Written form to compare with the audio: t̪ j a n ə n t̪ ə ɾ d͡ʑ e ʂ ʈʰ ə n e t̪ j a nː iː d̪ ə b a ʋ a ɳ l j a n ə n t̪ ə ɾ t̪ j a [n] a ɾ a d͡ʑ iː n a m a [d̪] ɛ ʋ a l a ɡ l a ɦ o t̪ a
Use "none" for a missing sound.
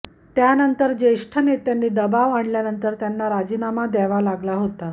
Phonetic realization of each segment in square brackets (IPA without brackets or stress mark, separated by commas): nː, d̪